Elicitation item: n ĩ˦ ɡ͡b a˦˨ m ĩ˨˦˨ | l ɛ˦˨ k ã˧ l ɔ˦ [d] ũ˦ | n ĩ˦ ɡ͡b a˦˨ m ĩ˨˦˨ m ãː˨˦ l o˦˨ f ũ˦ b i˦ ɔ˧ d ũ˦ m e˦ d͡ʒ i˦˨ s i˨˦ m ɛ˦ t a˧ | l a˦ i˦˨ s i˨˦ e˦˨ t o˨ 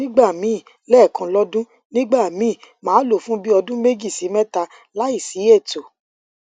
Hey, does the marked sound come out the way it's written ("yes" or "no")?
yes